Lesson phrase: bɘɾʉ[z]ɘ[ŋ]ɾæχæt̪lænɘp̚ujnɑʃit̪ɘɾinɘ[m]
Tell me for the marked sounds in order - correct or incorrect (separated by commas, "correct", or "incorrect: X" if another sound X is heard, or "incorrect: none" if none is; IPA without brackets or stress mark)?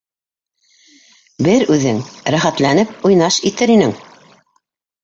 incorrect: ð, correct, incorrect: ŋ